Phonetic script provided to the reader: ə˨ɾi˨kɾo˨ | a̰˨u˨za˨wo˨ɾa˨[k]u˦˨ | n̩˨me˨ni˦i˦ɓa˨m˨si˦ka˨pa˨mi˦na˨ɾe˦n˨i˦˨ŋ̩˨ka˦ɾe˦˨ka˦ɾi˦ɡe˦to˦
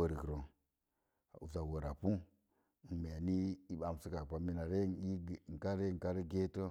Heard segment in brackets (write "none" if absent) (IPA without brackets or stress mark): p